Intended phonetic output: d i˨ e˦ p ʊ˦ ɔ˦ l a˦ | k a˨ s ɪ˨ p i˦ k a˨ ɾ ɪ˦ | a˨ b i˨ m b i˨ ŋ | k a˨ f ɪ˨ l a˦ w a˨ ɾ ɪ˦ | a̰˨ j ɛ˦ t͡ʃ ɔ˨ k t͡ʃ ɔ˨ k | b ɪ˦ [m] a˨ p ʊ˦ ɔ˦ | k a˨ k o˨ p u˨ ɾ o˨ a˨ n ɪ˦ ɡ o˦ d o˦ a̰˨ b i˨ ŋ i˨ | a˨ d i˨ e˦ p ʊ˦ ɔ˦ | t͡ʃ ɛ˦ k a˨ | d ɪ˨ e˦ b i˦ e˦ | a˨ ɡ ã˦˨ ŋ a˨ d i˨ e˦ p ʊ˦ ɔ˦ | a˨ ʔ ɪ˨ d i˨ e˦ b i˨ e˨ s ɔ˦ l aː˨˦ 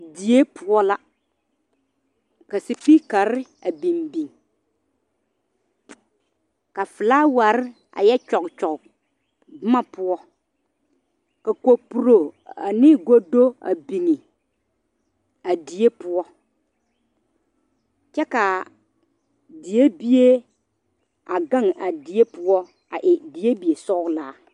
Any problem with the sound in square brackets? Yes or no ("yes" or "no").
no